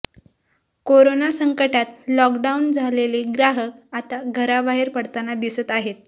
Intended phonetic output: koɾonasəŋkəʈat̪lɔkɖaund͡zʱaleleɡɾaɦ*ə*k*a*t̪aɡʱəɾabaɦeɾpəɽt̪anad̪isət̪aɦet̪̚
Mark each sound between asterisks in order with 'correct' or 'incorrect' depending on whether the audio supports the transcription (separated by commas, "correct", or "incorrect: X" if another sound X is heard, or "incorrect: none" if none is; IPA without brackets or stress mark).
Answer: correct, correct